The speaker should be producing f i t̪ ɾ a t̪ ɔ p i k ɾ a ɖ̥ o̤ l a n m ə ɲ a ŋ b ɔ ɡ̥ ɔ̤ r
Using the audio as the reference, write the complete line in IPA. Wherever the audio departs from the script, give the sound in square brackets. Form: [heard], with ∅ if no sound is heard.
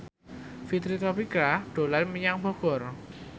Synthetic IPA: f i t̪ ɾ [i] t̪ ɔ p i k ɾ a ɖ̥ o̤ l a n m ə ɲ a ŋ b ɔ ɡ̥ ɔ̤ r